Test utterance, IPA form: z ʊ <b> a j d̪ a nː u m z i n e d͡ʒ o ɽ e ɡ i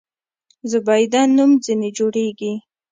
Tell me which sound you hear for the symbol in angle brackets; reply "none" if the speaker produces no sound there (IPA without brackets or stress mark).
b